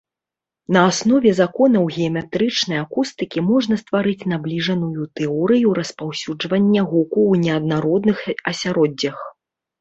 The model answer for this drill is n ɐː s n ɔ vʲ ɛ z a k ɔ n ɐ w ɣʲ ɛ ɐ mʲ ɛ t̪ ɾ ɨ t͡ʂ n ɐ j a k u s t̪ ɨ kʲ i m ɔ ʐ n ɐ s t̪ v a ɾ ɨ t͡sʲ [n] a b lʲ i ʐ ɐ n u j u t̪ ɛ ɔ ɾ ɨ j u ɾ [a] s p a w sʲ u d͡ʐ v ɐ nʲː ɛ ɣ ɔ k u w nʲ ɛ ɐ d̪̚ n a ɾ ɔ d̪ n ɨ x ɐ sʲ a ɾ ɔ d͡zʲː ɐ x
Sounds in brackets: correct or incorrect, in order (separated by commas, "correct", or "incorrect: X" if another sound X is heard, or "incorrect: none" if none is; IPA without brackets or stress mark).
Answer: correct, incorrect: ɐ